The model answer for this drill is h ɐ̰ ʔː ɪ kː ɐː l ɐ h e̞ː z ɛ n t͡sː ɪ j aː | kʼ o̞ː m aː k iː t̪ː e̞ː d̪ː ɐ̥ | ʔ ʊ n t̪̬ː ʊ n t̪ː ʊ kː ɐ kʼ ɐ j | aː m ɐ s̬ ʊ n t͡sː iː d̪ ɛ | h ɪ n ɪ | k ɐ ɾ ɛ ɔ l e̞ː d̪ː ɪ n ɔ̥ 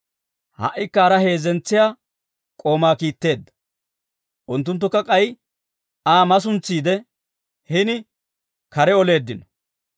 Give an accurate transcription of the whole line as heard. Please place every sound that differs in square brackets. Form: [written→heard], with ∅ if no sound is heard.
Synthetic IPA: h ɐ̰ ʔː ɪ kː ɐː [l→ɾ] ɐ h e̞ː z ɛ n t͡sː ɪ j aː | kʼ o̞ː m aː k iː t̪ː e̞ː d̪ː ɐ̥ | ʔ ʊ n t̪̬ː ʊ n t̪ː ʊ kː ɐ kʼ ɐ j | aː m ɐ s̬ ʊ n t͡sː iː d̪ ɛ | h ɪ n ɪ | k ɐ ɾ ɛ ɔ l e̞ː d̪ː ɪ n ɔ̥